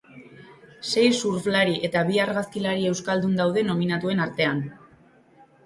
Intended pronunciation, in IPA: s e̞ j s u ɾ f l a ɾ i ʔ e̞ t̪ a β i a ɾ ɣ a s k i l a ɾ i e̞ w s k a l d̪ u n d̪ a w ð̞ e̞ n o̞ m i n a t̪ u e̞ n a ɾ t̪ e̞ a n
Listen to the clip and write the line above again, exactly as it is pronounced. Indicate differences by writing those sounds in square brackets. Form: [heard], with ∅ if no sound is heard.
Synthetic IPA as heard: s e̞ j s u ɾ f l a ɾ i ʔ e̞ t̪ a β i a ɾ ɣ a s k i l a ɾ i e̞ w s k a l d̪ u n d̪ a w ð̞ e̞ n o̞ m i n a t̪ u e̞ n a ɾ t̪ e̞ a n